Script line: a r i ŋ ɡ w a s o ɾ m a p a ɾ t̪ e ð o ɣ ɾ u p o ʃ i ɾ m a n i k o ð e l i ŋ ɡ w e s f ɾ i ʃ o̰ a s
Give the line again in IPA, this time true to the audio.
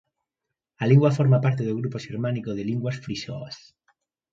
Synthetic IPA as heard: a l i ŋ ɡ w a f o ɾ m a p a ɾ t̪ e ð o ɣ ɾ u p o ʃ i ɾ m a n i k o ð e l i ŋ ɡ w a s f ɾ i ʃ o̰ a s